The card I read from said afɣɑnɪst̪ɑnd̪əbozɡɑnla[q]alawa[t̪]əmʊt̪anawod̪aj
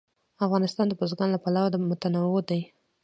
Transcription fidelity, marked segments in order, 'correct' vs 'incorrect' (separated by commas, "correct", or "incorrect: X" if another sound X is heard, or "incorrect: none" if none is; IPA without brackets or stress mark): incorrect: p, incorrect: d̪